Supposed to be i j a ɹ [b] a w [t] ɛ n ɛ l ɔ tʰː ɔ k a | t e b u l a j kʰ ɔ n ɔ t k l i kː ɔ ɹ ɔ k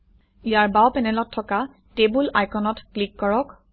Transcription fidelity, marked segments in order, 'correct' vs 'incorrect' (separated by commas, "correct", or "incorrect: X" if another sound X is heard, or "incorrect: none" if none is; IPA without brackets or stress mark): correct, incorrect: p